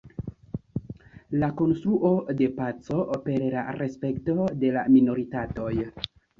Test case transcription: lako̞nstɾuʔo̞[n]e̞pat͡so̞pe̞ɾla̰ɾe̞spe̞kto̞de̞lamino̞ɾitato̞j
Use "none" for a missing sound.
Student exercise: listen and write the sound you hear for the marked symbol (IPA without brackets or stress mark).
d